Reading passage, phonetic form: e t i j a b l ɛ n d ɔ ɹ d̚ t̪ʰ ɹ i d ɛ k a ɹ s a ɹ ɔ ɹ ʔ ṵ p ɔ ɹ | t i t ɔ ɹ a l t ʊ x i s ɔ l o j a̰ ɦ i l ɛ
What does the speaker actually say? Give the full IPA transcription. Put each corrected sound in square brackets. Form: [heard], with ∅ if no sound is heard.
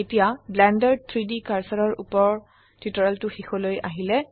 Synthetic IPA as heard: e t i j a b l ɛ n d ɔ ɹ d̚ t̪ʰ ɹ i d [i] k a ɹ s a ɹ ɔ ɹ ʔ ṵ p ɔ ɹ | t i t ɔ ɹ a l t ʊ x i [x] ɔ l o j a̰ ɦ i l ɛ